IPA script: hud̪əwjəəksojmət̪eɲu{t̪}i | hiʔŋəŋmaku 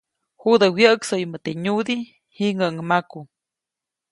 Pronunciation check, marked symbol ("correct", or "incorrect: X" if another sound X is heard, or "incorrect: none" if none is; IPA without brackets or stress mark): incorrect: d̪